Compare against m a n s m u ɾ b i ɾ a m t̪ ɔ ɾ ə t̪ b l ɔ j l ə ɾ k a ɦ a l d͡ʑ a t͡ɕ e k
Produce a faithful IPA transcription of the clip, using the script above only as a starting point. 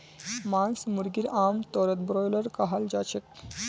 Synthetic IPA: m a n s m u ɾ ɡ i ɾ a m t̪ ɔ ɾ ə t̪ b ɾ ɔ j l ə ɾ k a ɦ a l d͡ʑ a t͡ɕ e k